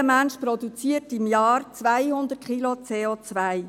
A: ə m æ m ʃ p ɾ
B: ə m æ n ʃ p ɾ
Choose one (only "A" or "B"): B